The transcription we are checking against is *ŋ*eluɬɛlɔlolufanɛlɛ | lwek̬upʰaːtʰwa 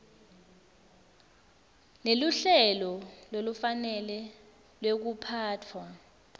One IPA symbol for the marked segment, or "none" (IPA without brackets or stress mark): n